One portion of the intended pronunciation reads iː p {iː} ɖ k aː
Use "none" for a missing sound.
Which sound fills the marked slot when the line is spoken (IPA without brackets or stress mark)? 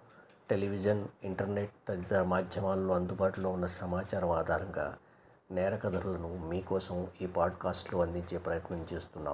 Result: aː